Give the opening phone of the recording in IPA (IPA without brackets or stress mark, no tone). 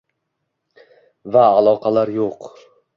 v